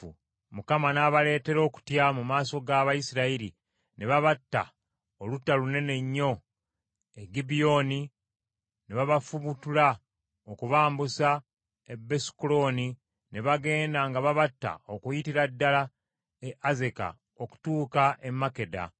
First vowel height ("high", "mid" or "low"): high